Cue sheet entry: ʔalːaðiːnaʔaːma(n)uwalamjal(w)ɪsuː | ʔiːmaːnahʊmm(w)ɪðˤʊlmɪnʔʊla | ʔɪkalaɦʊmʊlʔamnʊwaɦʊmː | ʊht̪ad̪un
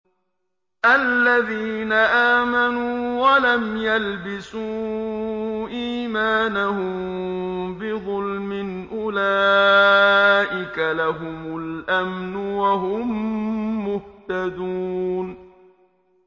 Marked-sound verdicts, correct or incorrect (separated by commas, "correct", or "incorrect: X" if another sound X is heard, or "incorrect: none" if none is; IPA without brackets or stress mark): correct, incorrect: b, incorrect: b